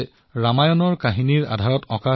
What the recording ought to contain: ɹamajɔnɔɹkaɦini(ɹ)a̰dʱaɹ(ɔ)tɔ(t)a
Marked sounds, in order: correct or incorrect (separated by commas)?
correct, correct, incorrect